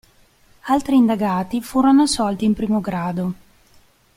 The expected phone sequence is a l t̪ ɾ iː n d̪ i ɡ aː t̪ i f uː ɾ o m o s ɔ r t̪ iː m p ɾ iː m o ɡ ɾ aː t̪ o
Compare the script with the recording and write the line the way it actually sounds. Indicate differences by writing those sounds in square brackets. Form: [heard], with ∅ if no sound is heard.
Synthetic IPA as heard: a l t̪ ɾ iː n d̪ [a] ɡ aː t̪ i f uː ɾ o [n] o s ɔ [l] t̪ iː m p ɾ iː m o ɡ ɾ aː [d̪] o